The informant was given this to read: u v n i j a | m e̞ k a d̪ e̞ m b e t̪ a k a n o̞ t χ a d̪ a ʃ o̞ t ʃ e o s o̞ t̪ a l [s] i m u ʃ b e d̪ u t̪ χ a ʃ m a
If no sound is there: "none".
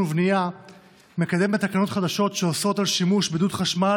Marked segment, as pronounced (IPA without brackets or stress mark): ʃ